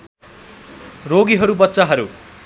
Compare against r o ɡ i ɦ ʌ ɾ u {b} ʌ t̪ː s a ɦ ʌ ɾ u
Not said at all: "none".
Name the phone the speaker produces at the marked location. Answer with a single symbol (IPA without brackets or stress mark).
b